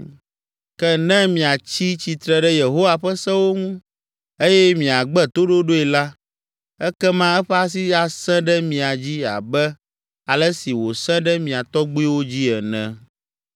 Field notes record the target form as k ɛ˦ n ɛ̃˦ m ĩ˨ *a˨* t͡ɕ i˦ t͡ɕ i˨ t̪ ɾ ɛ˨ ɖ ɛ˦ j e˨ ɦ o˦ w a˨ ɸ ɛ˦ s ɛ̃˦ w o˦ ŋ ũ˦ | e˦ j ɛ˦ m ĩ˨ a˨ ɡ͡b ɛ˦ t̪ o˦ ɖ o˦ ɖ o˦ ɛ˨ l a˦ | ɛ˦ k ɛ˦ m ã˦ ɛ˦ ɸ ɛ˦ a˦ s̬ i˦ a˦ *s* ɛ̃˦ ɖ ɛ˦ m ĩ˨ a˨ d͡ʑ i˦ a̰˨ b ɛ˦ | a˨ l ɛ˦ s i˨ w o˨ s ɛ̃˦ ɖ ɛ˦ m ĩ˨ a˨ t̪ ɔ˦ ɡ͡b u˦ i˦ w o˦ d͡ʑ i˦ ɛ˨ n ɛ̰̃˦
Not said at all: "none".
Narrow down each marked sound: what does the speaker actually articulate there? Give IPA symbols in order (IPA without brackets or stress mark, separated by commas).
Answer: a˨, s